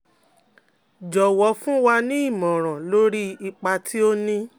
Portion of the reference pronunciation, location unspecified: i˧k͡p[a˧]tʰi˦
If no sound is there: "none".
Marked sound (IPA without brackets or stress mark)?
a˧